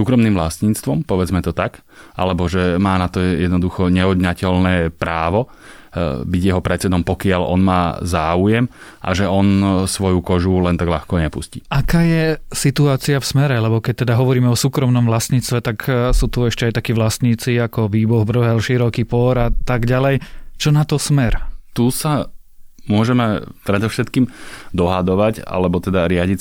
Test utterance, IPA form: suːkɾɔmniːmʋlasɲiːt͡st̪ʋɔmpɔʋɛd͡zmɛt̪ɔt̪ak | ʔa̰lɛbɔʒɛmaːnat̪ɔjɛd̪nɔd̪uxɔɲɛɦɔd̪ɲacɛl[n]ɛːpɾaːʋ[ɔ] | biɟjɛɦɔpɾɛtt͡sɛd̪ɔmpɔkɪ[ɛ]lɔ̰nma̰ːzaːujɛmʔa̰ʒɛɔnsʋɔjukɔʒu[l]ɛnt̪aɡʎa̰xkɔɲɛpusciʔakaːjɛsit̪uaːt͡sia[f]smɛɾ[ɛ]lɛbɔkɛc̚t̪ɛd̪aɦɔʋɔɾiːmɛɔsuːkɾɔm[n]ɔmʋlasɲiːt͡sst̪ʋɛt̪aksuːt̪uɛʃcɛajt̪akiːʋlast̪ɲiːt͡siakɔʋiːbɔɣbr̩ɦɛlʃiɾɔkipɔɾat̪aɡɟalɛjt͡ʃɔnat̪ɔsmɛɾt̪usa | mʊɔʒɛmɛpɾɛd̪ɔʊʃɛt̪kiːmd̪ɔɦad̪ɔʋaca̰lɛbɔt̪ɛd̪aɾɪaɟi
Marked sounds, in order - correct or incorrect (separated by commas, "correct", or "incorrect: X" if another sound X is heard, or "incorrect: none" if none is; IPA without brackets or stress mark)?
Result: correct, correct, incorrect: a, correct, correct, correct, correct